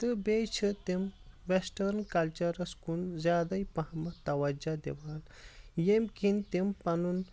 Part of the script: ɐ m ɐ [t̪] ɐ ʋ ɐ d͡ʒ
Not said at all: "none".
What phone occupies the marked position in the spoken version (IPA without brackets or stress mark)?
t̪